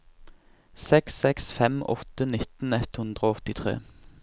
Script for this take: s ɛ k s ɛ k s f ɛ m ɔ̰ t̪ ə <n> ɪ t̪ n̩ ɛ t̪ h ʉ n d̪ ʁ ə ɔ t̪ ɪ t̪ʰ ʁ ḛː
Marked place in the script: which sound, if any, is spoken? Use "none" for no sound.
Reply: n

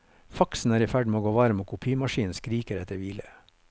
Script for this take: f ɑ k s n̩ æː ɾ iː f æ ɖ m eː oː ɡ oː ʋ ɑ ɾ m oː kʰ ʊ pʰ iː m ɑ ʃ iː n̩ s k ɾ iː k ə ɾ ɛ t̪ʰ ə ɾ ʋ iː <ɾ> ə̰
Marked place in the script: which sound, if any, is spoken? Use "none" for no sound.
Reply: l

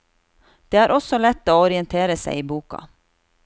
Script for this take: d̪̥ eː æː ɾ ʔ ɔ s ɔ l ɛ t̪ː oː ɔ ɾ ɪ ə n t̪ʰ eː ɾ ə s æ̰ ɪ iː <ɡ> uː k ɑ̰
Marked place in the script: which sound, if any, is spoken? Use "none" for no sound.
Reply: b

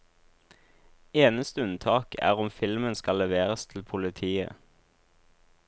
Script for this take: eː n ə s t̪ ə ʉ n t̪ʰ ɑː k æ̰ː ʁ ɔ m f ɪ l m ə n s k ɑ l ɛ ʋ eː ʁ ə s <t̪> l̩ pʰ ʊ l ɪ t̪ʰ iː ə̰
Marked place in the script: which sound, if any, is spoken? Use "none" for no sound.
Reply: t̪ʰ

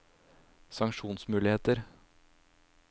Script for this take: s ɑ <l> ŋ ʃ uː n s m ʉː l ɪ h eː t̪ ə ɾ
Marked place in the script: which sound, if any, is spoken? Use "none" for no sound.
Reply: none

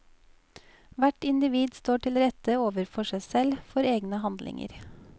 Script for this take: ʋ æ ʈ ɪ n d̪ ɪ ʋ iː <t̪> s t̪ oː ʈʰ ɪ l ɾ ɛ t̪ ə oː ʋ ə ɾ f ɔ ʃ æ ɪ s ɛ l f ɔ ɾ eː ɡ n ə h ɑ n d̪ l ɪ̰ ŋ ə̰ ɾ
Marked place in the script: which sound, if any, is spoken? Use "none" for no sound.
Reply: d̪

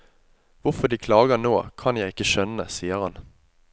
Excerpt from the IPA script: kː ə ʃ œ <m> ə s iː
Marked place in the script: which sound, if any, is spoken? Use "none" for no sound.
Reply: n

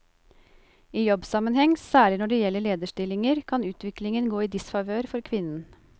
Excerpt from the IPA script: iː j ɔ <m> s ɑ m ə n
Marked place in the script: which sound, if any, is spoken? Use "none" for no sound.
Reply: b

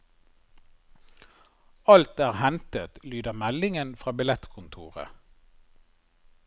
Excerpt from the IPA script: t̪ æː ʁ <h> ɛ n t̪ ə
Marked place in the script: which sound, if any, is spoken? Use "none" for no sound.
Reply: h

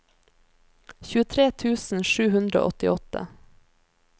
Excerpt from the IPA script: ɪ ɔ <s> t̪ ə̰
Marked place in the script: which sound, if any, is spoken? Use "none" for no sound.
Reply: none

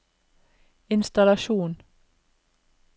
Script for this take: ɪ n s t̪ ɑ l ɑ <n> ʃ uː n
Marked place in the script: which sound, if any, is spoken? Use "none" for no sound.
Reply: none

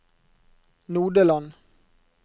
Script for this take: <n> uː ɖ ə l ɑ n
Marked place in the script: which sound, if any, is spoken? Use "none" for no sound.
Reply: n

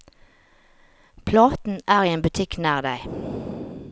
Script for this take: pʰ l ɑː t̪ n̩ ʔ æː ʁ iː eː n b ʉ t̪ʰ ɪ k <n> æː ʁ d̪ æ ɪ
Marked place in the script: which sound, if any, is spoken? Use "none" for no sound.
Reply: n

